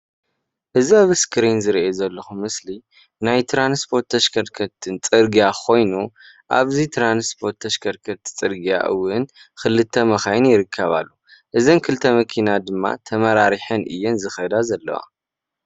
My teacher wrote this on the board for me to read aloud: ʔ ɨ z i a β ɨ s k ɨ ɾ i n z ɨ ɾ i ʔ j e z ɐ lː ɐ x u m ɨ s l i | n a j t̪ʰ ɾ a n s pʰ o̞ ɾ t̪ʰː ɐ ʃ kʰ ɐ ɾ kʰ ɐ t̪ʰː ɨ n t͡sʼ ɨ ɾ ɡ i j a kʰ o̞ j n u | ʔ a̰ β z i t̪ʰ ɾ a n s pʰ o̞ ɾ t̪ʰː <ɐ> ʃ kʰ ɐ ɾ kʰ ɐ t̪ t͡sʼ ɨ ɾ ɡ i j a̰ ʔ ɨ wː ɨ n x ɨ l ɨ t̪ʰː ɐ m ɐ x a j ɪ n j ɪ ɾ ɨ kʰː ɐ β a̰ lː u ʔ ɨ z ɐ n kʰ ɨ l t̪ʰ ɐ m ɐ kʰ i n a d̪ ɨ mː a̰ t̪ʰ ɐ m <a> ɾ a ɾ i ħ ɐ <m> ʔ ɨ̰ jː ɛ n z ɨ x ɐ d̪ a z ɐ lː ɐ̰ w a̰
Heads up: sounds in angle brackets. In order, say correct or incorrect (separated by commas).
correct, incorrect, incorrect